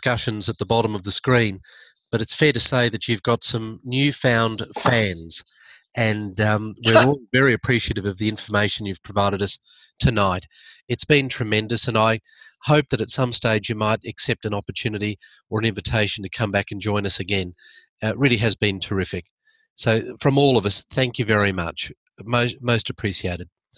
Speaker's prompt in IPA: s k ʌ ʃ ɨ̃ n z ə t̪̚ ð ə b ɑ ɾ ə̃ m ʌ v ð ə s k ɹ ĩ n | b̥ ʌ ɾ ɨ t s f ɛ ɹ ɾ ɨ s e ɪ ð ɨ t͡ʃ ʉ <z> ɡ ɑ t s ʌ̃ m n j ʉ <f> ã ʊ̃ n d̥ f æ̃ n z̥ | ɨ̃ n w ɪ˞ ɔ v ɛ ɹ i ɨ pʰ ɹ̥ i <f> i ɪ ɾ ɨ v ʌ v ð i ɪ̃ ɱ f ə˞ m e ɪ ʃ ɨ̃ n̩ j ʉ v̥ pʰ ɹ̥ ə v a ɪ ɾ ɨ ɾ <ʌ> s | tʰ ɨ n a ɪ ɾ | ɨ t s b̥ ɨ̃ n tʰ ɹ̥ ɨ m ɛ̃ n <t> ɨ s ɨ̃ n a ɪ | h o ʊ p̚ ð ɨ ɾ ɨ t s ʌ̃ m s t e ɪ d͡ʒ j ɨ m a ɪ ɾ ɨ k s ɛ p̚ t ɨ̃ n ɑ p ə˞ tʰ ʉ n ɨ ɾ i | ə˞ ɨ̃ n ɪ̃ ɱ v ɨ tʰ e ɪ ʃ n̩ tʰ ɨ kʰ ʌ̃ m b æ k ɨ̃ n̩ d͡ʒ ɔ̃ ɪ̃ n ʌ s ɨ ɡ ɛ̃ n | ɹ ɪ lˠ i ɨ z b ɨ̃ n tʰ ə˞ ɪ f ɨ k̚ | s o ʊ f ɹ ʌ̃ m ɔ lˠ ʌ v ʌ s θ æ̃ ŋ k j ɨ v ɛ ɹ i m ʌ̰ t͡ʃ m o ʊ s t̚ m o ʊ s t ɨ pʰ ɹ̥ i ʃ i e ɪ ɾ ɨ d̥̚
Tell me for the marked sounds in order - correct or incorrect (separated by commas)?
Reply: incorrect, correct, incorrect, correct, incorrect